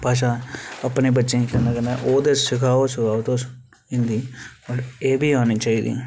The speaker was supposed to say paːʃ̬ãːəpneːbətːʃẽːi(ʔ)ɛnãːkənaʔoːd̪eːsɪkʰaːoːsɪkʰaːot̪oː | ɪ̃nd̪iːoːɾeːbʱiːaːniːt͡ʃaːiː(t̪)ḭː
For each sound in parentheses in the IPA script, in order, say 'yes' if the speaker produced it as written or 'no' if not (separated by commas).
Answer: no, no